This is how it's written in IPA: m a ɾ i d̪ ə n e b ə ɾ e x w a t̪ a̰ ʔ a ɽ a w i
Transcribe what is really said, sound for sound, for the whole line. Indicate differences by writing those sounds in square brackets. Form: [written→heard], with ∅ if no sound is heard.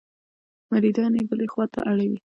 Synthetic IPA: m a ɾ i d̪ [ə→ɑ] n e b ə [ɾ→l] e x w [a→ɑ] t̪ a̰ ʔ a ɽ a w i